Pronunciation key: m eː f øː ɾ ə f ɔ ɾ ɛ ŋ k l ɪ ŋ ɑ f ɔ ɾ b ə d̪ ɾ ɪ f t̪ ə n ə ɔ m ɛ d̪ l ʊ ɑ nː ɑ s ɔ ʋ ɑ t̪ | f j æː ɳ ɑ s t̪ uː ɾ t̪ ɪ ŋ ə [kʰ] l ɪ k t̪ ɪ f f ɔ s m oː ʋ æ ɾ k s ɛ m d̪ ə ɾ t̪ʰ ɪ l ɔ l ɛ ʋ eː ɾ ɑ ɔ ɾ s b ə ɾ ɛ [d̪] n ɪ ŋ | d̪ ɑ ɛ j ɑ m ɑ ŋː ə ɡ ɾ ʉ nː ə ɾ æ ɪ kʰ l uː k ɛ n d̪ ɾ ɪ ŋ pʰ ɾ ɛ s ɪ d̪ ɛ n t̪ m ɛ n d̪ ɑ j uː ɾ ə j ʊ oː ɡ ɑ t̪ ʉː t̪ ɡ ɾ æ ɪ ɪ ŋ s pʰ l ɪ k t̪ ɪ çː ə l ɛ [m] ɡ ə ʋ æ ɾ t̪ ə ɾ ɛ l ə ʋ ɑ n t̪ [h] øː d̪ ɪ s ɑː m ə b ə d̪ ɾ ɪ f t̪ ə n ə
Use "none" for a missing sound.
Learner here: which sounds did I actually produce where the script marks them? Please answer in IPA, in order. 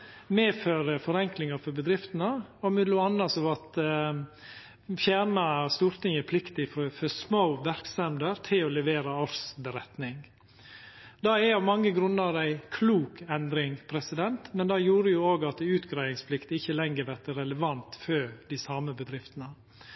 pʰ, t̪, ŋ, f

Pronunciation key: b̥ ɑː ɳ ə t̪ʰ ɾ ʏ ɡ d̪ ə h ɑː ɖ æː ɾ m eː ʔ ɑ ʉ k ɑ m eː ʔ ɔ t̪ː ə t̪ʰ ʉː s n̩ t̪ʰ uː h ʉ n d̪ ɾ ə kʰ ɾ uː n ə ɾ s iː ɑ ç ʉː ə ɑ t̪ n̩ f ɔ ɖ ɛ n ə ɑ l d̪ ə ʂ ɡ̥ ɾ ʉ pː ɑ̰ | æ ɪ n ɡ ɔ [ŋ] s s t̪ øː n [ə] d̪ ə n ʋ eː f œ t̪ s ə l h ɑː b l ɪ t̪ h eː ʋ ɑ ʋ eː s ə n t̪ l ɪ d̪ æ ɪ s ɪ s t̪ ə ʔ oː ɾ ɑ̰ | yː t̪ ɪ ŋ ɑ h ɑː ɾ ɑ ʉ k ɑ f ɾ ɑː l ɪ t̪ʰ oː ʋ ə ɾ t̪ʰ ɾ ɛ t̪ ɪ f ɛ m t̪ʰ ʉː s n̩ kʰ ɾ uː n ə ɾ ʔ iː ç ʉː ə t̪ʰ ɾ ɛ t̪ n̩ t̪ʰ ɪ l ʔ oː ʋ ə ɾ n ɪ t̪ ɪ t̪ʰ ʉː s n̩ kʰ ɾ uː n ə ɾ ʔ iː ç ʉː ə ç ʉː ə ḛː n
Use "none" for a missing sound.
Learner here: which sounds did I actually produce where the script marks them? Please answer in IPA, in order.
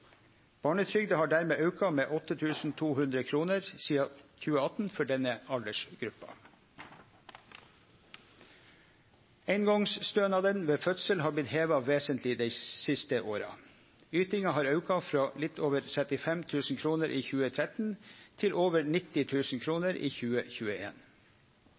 ŋ, ɑ

